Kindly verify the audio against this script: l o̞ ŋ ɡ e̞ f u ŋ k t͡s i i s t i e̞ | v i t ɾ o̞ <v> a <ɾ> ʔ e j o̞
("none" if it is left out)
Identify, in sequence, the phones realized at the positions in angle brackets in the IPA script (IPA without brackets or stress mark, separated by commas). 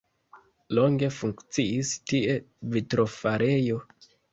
f, ɾ